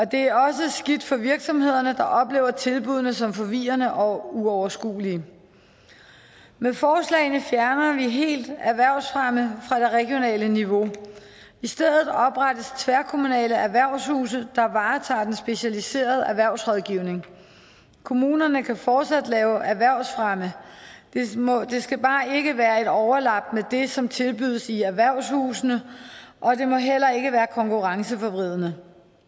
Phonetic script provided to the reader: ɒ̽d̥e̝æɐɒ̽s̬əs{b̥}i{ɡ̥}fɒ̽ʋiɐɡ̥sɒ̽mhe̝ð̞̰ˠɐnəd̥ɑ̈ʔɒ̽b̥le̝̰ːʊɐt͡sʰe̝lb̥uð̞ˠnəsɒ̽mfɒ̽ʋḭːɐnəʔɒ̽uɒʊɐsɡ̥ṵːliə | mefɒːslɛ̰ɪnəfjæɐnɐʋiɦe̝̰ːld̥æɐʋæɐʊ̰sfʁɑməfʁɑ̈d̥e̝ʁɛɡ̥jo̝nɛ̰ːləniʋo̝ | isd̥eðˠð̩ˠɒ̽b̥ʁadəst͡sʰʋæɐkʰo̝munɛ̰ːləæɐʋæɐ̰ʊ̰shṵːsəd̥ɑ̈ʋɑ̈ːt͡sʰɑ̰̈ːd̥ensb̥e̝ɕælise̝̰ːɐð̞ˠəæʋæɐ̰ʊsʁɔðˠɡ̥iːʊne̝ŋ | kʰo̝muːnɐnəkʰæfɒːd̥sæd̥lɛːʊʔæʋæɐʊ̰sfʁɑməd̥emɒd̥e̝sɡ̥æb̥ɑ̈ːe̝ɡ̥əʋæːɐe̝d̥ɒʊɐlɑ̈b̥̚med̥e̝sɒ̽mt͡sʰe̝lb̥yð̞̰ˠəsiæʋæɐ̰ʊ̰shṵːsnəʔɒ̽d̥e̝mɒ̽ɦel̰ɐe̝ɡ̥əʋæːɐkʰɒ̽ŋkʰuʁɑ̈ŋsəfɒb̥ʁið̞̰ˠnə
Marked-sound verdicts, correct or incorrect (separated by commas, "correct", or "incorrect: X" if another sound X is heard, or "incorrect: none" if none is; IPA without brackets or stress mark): incorrect: ɡ̥, incorrect: d̥